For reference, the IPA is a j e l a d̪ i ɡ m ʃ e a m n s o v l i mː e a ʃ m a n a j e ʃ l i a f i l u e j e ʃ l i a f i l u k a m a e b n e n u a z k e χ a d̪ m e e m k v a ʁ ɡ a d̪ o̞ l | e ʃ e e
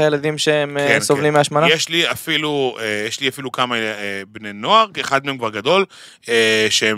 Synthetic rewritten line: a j e l a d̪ i m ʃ e e m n s o v l i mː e a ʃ m a n a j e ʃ l i a f i l u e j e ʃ l i a f i l u k a m a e b n e n o a ʁ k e χ a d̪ m e e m k v a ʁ ɡ a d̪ o̞ l | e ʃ e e